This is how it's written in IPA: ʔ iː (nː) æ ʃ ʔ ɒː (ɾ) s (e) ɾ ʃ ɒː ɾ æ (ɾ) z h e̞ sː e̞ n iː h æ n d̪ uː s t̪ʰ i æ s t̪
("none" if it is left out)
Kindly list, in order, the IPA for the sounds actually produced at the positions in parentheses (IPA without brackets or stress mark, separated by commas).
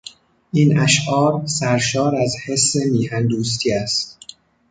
n, ɾ, æ, none